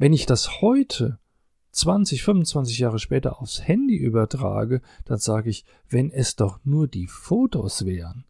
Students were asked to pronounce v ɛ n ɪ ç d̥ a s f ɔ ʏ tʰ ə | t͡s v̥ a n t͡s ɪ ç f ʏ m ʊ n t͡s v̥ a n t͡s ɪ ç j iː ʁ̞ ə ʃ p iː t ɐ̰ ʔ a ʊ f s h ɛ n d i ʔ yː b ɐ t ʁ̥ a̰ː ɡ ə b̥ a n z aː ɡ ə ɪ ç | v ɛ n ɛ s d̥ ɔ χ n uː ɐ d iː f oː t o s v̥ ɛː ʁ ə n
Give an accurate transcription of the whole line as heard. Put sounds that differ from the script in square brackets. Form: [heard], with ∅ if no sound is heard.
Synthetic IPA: v ɛ n ɪ ç d̥ a s [h] ɔ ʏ tʰ ə | t͡s v̥ a n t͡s ɪ ç f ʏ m ʊ n t͡s v̥ a n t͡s ɪ ç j [aː] ʁ̞ ə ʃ p [ɛː] t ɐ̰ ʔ a ʊ f s h ɛ n d i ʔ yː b ɐ t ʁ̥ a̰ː ɡ ə [d̥] a n z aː ɡ ə ɪ ç | v ɛ n ɛ s d̥ ɔ χ n uː ɐ d iː f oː t o s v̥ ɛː ʁ ə n